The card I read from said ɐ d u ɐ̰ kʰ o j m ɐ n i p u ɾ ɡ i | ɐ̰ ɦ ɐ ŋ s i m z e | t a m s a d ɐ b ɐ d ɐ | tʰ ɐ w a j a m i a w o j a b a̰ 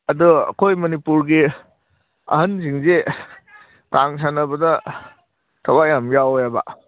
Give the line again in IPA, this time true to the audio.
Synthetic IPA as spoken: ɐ d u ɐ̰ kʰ o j m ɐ n i p u ɾ ɡ i | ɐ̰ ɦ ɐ n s i ŋ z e | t a ŋ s a n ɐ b ɐ d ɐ | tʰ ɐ w a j a m j a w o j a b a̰